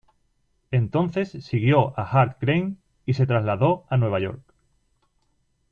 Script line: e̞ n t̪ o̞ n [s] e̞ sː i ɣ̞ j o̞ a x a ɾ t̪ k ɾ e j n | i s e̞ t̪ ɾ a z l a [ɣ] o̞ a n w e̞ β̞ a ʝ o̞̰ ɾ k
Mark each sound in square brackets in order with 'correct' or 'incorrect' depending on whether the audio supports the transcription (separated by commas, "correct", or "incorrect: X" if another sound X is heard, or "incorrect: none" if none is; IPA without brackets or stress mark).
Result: incorrect: θ, incorrect: ð